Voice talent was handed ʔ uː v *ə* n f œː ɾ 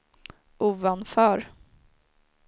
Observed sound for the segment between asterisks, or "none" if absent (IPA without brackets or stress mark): a